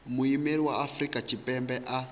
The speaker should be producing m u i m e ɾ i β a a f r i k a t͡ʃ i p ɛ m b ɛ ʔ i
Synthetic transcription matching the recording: m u i m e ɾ i w a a f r i k a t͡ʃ i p ɛ m b ɛ ʔ a